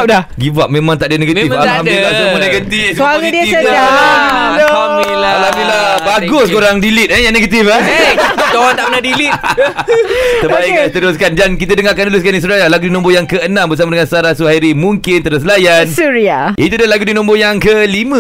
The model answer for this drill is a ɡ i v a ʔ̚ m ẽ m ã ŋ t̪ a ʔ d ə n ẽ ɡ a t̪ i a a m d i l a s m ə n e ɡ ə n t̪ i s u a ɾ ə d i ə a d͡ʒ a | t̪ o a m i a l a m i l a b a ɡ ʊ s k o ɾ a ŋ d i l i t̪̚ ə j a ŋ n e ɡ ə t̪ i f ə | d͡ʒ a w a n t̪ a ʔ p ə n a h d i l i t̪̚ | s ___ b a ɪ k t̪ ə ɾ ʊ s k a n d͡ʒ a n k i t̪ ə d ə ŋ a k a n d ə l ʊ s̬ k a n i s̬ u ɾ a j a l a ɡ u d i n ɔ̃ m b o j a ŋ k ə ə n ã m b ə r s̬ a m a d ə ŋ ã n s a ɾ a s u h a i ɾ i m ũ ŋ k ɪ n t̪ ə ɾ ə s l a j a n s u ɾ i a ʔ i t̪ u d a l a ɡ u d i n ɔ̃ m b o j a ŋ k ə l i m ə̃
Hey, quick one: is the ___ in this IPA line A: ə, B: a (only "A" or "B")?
A